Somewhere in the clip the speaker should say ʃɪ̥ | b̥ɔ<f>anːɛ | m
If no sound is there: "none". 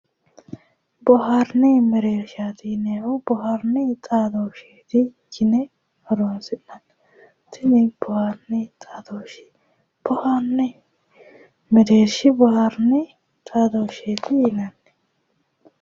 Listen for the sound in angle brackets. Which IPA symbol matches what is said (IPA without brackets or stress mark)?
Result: h